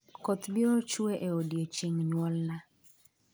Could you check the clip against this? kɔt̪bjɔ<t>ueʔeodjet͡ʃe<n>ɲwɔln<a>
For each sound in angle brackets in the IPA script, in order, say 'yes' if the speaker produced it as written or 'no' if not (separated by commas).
no, no, yes